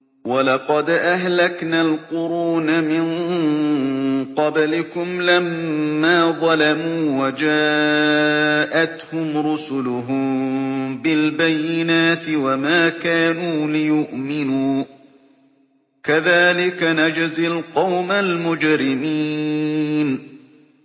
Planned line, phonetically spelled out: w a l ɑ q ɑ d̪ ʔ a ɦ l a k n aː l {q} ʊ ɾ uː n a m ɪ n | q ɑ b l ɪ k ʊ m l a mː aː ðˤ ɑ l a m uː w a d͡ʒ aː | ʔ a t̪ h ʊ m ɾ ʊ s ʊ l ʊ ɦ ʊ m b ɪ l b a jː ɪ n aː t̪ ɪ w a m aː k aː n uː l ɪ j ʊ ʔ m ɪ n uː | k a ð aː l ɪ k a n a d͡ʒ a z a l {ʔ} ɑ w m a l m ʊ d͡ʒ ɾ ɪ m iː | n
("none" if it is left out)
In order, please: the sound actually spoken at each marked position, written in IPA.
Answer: q, q

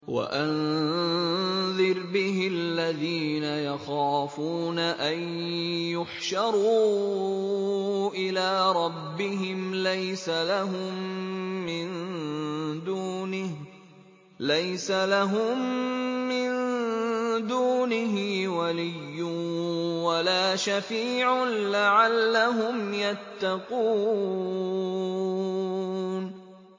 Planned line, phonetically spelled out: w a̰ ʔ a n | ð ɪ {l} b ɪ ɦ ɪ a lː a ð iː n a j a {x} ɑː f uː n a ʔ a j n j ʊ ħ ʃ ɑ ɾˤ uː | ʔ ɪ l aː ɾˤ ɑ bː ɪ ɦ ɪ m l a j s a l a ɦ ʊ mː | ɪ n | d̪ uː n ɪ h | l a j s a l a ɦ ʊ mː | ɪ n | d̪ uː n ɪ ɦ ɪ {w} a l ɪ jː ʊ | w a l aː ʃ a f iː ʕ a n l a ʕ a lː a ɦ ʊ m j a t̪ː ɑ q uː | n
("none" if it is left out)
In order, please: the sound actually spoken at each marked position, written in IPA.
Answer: ɾ, x, w

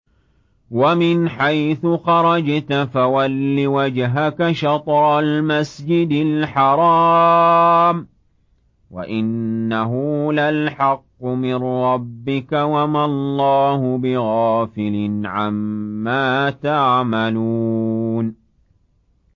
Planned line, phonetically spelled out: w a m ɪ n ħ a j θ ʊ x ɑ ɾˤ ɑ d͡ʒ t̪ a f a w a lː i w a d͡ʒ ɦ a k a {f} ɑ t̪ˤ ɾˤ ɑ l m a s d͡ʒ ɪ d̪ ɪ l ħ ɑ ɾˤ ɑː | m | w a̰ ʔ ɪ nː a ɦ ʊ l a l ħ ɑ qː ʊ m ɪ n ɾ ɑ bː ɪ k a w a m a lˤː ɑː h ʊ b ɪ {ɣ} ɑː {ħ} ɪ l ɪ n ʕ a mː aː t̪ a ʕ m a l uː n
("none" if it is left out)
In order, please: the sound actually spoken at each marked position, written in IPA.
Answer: ʃ, ɣ, f

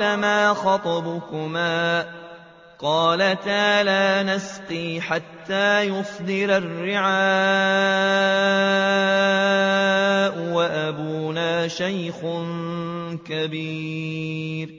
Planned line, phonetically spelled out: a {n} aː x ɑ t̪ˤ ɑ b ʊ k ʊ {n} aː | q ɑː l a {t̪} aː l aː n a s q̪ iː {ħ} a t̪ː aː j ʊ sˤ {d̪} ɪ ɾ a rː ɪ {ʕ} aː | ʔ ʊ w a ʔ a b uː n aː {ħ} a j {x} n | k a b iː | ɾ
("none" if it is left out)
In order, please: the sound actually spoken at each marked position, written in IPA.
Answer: m, m, t̪, ħ, d̪, ʕ, ʃ, x

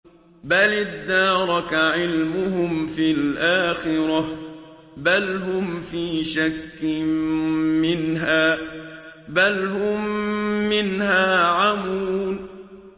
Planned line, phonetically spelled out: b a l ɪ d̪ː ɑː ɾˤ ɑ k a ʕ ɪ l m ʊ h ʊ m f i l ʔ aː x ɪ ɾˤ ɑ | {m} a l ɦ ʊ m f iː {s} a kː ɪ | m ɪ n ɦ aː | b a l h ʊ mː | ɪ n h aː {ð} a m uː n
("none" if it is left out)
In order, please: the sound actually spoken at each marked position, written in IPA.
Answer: b, ʃ, ʕ

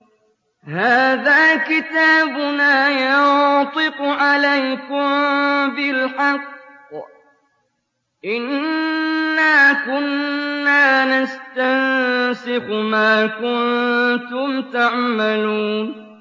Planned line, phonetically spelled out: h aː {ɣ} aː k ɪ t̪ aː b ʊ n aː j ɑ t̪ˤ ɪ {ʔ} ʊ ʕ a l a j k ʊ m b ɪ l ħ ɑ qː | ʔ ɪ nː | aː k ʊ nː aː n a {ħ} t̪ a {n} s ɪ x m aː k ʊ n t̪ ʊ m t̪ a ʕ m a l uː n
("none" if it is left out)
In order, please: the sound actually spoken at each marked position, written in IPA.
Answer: ð, q, s, n

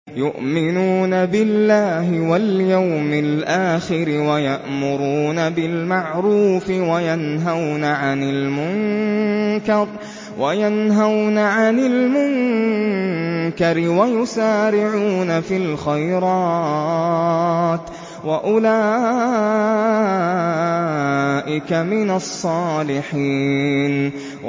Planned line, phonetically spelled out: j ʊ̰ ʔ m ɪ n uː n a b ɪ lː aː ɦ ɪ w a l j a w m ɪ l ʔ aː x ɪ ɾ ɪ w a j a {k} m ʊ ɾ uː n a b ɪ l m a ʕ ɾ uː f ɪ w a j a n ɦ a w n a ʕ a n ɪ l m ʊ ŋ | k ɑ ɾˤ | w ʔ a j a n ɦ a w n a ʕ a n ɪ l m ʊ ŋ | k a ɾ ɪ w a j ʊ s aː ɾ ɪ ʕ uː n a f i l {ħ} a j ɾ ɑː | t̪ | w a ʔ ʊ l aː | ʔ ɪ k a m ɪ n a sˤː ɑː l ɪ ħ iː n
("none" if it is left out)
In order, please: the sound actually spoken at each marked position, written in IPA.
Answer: ʔ, x

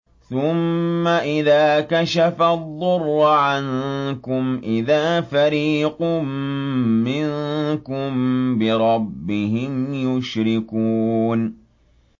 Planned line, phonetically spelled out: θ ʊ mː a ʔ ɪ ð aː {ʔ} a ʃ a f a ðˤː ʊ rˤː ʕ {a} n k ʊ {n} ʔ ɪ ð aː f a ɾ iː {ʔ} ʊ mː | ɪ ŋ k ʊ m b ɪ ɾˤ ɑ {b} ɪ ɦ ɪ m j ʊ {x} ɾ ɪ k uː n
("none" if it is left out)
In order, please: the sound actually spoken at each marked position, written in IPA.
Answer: k, a, m, q, bː, ʃ

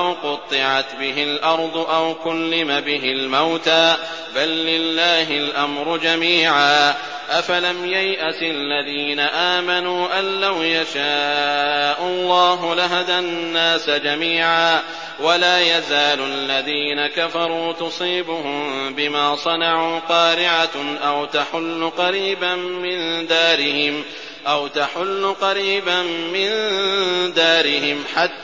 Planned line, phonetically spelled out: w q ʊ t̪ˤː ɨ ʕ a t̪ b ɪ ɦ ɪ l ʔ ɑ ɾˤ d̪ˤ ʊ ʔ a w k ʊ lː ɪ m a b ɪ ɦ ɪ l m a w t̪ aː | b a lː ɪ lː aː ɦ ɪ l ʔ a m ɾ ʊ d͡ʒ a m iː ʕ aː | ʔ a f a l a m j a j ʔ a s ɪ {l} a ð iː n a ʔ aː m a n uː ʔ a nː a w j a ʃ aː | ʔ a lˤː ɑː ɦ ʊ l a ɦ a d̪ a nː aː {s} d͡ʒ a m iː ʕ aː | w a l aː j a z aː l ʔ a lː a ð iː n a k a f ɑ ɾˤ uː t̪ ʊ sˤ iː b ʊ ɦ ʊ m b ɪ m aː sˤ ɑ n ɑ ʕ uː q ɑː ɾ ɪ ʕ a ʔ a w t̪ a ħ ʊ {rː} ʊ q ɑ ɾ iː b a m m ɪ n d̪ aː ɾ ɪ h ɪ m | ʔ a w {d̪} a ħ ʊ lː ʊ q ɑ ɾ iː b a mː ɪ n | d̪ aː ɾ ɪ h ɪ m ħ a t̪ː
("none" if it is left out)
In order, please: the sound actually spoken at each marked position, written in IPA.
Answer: lː, s, lː, t̪

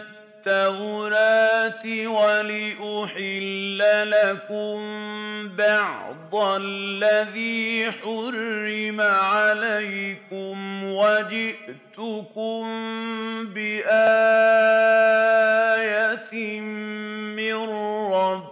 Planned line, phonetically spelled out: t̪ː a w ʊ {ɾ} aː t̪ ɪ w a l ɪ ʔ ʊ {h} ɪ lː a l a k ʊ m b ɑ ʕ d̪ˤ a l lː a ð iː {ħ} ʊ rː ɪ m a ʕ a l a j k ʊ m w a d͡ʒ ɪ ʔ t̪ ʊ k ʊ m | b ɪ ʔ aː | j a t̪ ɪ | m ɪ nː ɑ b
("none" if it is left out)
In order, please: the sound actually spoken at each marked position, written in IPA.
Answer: ɾ, ħ, ħ

